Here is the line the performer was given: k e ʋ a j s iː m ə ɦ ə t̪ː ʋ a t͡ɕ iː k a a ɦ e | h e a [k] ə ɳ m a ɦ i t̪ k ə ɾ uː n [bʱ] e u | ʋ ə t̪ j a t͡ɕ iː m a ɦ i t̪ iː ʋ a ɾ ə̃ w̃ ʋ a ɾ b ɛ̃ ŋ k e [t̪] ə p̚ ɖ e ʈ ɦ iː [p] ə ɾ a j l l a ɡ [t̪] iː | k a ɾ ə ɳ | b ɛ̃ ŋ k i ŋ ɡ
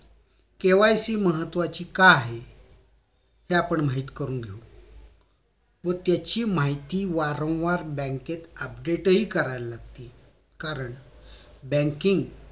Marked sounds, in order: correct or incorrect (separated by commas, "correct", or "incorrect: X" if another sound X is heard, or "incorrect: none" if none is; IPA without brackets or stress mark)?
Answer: incorrect: p, incorrect: ɡʱ, correct, incorrect: k, correct